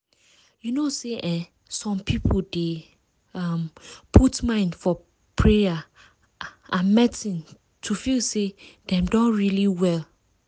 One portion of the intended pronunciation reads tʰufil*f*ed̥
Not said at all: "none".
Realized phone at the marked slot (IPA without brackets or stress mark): s